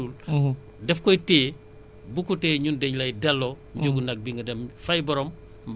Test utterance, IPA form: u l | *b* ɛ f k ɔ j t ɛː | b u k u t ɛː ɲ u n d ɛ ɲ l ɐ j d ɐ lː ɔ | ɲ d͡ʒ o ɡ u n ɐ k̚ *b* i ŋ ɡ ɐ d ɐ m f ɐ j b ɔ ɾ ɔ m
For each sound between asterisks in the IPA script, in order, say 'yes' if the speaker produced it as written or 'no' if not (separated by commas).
no, yes